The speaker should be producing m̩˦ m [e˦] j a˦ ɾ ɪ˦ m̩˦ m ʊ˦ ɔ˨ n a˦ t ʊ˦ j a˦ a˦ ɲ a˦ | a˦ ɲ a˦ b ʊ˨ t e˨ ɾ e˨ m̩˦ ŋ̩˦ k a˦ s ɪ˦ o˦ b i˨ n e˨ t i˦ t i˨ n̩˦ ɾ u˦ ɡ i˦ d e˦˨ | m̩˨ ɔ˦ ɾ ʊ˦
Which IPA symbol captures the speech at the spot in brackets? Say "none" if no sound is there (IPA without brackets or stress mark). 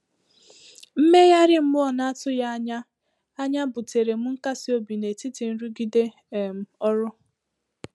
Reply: e˦